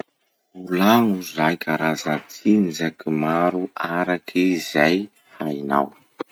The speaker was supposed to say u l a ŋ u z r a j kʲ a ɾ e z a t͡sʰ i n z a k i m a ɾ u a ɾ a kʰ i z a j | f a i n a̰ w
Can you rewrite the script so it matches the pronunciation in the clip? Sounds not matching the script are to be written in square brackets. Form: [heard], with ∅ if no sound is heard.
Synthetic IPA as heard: u l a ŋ u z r a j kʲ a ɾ [a] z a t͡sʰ i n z a k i m a ɾ u a ɾ a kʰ i z a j | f a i n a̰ w